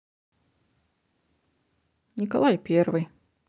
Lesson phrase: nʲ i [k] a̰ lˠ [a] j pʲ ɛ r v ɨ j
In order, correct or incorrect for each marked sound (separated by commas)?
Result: correct, correct